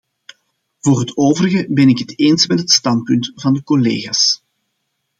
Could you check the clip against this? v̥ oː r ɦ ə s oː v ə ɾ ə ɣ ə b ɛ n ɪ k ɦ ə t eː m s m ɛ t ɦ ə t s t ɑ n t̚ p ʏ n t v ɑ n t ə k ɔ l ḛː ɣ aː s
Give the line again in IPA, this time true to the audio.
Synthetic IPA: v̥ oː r ɦ ə t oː v ə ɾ ə ɣ ə b ɛ n ɪ k ɦ ə t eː n s m ɛ t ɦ ə t s t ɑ n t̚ p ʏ n t v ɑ n d ə k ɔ l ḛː ɣ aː s